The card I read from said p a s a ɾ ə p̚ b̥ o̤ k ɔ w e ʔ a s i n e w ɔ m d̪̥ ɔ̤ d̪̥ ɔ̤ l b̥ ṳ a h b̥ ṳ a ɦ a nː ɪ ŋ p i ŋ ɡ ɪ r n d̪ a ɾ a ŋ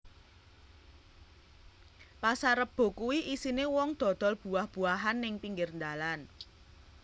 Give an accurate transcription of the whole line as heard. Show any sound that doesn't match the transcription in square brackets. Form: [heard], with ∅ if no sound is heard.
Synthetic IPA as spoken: p a s a ɾ ə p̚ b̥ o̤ k [u] w [i] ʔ [i] s i n e w ɔ [ŋ] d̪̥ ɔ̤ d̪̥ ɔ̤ l b̥ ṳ a h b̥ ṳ a ɦ a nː ɪ ŋ p i ŋ ɡ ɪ r n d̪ a [l] a [n]